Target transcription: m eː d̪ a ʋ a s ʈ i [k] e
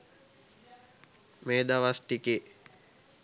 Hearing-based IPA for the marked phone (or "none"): k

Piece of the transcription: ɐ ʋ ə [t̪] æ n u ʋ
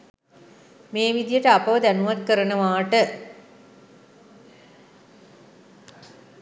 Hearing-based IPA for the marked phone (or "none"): d̪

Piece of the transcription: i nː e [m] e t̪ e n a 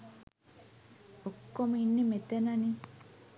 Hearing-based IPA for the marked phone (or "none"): m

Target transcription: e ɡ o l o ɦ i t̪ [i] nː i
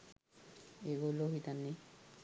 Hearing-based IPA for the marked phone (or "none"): a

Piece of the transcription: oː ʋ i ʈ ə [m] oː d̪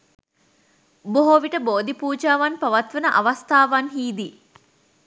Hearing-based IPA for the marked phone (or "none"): b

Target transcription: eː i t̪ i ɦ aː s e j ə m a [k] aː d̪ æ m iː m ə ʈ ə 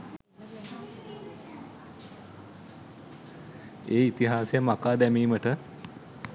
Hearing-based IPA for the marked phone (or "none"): k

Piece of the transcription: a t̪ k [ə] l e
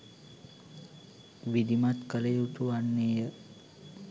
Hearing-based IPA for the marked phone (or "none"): ə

